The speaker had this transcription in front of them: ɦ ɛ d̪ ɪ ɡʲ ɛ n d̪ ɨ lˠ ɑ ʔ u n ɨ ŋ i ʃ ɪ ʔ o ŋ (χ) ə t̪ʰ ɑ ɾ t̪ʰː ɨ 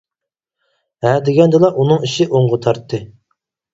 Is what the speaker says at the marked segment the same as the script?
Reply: no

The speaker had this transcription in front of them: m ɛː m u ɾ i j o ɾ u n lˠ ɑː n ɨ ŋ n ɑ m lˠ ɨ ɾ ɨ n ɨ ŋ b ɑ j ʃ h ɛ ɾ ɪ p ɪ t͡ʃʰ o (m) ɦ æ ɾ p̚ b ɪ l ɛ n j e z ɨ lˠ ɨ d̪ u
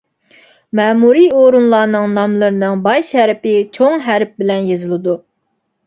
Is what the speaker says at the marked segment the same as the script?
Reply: no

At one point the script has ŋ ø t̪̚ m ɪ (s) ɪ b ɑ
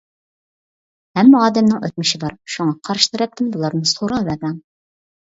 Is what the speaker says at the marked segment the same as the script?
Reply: no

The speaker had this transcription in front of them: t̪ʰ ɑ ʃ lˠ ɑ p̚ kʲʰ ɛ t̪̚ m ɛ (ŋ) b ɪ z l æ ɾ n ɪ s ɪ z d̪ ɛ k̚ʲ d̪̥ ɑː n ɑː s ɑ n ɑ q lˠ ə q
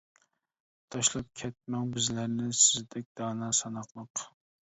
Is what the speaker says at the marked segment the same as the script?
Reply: yes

